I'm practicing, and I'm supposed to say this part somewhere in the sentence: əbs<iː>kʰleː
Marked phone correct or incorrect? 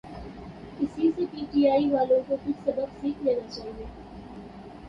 correct